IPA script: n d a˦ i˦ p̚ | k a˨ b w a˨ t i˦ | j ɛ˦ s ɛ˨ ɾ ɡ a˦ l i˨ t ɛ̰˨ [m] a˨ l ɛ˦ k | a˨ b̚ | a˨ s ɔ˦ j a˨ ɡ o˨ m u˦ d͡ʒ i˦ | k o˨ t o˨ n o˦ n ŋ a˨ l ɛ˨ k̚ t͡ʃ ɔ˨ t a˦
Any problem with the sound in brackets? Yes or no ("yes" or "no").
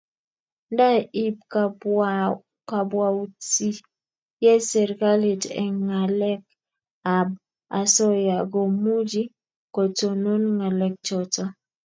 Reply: yes